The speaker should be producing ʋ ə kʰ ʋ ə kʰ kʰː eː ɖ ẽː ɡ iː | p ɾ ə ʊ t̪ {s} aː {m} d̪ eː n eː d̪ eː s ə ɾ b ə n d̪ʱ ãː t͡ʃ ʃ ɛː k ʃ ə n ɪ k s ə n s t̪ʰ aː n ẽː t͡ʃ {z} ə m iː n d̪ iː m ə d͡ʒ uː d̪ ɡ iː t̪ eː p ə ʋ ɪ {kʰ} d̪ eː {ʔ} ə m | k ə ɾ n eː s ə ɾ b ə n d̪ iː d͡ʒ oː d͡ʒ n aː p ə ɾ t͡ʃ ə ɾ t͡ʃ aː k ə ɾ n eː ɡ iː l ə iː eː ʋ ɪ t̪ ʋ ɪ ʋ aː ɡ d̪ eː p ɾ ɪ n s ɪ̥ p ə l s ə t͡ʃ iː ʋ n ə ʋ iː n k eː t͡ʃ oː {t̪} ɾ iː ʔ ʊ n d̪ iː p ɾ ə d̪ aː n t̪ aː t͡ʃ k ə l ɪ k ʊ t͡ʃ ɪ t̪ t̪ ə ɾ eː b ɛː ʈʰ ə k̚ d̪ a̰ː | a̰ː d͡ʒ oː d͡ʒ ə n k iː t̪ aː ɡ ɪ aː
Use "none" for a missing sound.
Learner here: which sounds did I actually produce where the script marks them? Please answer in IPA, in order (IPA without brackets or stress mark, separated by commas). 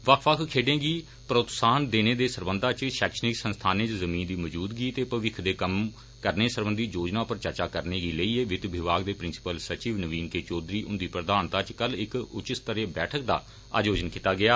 s, n, z, kʰ, k, d̪